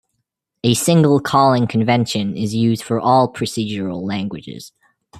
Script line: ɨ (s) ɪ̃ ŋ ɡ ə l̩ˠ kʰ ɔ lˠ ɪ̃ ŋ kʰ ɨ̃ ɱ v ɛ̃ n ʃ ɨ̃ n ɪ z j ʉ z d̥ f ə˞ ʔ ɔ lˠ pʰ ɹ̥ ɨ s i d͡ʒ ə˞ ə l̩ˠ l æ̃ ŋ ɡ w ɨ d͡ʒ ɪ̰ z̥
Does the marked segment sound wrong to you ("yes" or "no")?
no